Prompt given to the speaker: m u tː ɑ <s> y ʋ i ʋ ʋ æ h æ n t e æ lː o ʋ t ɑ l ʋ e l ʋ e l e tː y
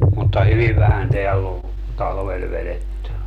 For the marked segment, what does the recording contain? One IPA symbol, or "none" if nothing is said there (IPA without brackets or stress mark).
h